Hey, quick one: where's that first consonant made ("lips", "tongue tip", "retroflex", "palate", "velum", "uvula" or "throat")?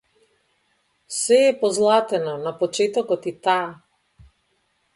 tongue tip